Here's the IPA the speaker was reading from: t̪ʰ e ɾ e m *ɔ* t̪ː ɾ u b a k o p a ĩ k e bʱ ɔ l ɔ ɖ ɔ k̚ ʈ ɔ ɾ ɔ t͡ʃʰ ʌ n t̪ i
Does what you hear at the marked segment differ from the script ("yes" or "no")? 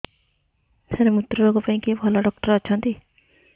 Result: yes